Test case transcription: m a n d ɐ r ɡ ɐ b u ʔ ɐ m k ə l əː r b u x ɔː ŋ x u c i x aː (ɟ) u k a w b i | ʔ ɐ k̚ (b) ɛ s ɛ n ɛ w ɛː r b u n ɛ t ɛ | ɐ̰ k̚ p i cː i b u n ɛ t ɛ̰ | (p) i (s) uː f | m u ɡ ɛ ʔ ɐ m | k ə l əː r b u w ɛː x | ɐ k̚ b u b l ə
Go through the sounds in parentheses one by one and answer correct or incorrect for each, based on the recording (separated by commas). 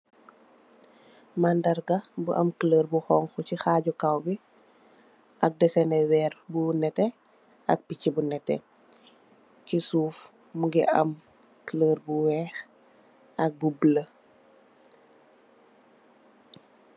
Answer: correct, incorrect, incorrect, correct